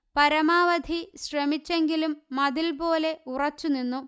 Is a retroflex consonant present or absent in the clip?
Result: absent